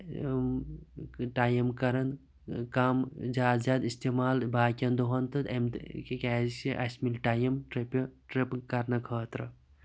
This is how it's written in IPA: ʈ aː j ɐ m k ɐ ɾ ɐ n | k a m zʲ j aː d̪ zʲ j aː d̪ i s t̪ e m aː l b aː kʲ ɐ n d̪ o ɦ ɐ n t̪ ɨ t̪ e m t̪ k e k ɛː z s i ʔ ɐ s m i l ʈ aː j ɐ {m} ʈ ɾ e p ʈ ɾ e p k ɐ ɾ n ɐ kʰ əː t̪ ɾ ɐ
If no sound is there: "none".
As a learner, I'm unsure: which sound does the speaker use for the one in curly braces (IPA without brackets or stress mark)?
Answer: m